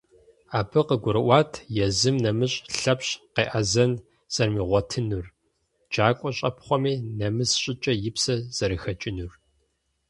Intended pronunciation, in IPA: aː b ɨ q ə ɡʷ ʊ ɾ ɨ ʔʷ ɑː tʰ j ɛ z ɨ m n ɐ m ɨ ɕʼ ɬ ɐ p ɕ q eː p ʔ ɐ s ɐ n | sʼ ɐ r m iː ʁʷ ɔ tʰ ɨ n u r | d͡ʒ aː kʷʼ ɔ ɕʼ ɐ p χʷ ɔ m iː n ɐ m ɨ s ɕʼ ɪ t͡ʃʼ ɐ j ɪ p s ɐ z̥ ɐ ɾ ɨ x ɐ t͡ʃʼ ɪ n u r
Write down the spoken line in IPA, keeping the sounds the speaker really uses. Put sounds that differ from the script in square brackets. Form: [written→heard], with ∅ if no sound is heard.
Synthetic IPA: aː b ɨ q ə ɡʷ ʊ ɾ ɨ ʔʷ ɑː tʰ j ɛ z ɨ m n ɐ m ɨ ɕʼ ɬ ɐ p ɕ q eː [p→∅] ʔ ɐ [s→z] ɐ n | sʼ ɐ r m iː ʁʷ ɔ tʰ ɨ n u r | d͡ʒ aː kʷʼ ɔ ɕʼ ɐ p χʷ ɔ m iː n ɐ m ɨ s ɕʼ ɪ t͡ʃʼ ɐ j ɪ p s ɐ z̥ ɐ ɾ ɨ x ɐ t͡ʃʼ ɪ n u r